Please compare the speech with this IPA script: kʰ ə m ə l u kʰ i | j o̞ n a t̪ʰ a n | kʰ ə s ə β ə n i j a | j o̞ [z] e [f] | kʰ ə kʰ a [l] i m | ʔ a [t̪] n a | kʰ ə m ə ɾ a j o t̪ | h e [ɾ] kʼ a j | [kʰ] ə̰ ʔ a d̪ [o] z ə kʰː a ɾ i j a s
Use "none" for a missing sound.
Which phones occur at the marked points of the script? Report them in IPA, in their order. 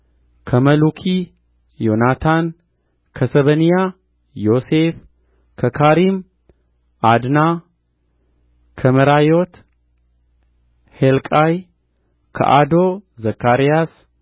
s, f, ɾ, d̪, l, kʰ, o

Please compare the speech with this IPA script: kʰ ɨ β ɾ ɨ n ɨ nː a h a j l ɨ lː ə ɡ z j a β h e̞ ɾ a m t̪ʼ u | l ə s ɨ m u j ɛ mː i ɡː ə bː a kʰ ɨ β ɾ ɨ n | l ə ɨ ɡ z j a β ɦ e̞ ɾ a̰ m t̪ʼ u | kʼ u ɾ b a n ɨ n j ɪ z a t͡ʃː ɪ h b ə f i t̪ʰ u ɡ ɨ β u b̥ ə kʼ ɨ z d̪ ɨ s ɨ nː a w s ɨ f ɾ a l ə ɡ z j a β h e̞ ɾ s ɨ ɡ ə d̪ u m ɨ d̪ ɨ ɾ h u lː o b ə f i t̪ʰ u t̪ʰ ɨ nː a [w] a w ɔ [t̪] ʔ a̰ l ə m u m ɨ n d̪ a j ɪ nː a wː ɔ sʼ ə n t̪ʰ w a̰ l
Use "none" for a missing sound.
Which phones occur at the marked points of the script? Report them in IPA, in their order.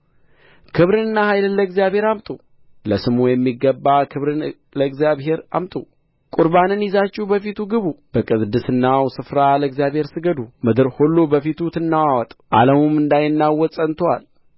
w, t̪ʼ

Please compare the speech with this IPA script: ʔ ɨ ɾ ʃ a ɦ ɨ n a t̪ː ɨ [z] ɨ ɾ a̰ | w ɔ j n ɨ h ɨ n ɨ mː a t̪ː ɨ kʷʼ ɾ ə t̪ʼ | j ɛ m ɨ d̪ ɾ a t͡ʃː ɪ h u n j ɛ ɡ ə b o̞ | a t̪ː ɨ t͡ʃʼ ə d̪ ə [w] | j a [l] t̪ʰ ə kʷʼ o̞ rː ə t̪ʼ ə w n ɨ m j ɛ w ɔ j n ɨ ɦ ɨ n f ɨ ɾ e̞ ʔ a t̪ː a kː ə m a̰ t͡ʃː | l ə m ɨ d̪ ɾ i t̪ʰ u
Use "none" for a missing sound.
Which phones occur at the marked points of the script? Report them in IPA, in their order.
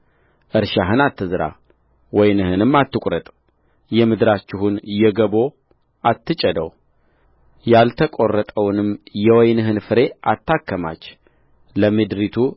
z, w, l

